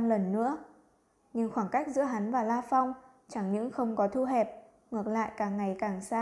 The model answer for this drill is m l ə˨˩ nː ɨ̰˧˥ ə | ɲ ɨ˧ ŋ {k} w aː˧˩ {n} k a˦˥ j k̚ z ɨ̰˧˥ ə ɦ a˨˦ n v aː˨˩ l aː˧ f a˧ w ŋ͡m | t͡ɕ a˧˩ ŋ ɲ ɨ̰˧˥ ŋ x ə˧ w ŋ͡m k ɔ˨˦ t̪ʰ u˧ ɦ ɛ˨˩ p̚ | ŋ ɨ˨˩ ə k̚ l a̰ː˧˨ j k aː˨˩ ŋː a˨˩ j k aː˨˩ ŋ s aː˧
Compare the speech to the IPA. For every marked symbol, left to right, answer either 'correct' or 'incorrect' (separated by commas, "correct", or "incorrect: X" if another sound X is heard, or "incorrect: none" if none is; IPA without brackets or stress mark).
incorrect: x, incorrect: ŋ